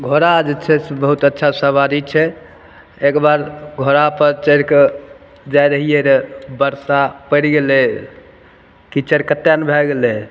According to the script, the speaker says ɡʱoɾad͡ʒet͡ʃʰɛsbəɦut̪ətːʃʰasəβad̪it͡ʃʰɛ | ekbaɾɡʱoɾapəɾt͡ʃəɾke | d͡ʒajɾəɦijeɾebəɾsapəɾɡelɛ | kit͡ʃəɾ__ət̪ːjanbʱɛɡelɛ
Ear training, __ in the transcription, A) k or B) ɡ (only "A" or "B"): A